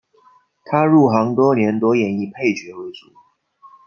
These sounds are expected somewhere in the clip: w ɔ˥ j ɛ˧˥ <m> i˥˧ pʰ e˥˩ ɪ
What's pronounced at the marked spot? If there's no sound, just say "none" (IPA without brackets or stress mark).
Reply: n